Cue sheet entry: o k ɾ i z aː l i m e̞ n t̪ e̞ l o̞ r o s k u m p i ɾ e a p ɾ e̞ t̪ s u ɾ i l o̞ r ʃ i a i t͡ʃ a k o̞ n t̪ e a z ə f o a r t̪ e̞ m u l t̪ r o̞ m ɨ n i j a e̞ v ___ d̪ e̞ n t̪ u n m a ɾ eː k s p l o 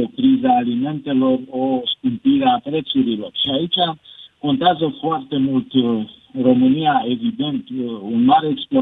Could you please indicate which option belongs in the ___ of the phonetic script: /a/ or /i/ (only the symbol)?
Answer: i